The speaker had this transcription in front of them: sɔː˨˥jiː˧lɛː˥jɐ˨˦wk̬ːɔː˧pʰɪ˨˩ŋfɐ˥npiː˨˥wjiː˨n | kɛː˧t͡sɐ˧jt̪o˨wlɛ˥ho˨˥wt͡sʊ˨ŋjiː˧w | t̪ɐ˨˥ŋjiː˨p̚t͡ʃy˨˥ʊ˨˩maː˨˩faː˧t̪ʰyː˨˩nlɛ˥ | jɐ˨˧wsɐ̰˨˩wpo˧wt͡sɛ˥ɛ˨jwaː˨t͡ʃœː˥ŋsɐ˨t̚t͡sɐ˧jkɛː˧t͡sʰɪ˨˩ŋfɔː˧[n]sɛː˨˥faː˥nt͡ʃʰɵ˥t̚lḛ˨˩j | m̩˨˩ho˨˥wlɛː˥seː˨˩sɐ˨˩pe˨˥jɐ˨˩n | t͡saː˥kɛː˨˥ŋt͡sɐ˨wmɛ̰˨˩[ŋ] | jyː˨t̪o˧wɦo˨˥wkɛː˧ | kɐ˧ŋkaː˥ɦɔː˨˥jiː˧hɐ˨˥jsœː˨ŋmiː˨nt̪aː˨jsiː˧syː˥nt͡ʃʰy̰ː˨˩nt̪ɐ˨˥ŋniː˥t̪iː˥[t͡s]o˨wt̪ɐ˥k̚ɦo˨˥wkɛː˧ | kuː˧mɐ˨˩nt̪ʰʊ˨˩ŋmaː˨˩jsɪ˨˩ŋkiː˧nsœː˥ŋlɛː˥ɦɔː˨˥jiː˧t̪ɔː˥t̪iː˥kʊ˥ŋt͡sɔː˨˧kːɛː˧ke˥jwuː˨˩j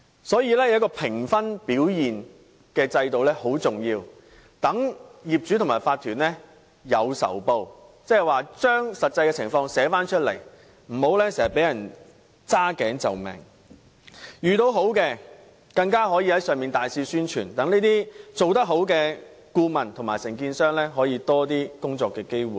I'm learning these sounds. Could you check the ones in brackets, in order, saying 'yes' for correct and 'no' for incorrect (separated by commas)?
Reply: no, yes, yes